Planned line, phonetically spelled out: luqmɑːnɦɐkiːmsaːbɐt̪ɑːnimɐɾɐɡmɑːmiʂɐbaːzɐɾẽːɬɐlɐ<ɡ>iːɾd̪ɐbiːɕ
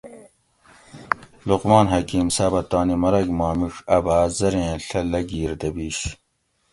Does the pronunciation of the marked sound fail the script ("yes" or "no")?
no